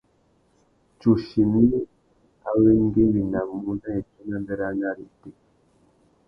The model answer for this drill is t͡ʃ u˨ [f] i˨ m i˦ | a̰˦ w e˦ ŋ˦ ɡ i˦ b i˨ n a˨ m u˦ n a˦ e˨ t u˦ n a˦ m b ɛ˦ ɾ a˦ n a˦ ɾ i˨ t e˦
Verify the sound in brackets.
incorrect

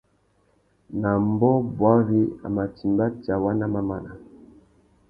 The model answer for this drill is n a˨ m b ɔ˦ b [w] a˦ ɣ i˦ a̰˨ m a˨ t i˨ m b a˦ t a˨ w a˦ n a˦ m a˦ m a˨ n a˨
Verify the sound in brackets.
correct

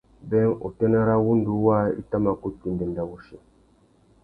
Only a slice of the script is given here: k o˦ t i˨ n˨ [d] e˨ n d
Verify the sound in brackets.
correct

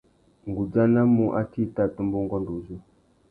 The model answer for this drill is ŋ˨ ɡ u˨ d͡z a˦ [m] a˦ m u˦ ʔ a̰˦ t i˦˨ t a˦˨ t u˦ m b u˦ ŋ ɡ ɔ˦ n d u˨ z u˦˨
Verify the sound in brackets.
incorrect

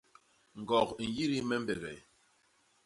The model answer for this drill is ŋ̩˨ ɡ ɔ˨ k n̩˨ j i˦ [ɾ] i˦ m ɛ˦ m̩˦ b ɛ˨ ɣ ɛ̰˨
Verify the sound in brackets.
correct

